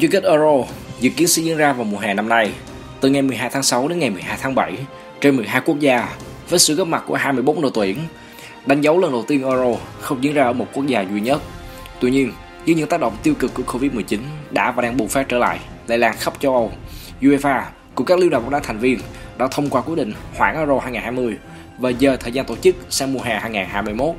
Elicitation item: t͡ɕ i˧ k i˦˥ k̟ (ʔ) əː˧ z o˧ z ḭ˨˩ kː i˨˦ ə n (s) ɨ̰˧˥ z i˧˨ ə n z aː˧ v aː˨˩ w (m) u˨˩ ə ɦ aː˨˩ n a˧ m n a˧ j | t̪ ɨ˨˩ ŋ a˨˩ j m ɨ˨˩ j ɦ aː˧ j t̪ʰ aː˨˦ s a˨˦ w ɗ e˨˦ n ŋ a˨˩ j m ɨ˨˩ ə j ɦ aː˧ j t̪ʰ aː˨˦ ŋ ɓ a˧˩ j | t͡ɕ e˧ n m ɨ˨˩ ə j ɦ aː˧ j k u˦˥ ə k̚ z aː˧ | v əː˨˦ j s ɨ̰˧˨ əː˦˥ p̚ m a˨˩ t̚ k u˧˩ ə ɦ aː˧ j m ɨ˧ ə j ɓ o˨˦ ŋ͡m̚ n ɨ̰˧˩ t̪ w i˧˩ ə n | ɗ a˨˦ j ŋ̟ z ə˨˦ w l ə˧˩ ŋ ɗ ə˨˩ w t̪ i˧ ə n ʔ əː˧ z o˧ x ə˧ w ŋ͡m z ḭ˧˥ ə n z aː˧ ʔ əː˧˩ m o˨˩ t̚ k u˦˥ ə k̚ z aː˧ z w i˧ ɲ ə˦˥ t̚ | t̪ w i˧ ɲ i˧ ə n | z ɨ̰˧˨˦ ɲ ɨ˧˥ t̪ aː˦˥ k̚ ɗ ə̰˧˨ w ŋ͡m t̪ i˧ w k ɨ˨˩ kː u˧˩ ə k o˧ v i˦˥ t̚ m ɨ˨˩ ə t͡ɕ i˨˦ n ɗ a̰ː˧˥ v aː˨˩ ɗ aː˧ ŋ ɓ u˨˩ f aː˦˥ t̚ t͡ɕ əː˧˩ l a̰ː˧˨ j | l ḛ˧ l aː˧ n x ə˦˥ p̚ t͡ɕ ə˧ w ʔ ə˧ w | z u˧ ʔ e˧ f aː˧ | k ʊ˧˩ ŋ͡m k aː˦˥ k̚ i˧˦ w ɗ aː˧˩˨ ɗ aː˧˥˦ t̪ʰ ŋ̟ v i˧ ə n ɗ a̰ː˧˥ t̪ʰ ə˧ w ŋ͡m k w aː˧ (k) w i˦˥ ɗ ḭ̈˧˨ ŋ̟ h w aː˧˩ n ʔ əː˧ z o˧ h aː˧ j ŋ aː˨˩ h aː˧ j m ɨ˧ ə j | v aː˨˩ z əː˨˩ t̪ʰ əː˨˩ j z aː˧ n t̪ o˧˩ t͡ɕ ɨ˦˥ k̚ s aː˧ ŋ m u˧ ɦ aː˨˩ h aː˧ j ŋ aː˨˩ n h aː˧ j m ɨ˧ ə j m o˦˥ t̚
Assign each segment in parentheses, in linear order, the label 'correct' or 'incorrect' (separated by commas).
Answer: correct, correct, correct, correct